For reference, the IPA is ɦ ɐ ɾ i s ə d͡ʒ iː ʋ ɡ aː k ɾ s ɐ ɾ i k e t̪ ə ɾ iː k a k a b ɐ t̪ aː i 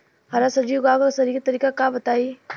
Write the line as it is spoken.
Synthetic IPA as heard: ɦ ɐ ɾ a s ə d͡ʒ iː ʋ ɡ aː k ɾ s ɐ ɾ i k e t̪ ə ɾ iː k a k a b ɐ t̪ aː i

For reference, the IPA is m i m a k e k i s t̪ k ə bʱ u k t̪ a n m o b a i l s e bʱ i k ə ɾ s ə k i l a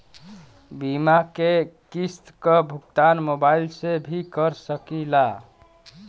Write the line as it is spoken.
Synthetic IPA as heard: b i m a k e k i s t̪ k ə bʱ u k t̪ a n m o b a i l s e bʱ i k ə ɾ s ə k i l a

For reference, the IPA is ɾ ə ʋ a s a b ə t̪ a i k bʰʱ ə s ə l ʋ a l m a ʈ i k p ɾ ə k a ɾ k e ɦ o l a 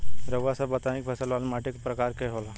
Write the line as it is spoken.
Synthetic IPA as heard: ɾ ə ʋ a s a b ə t̪ a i k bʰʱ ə s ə l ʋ a l m a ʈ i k p ɾ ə k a ɾ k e ɦ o l a

